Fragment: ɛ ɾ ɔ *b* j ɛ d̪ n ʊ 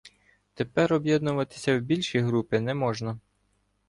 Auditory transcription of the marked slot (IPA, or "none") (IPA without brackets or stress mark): b